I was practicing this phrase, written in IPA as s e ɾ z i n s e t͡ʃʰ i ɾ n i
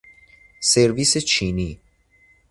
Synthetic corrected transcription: s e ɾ v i s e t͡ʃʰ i n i